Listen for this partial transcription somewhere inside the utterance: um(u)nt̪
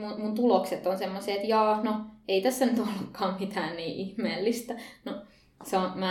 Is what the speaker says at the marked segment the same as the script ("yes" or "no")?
yes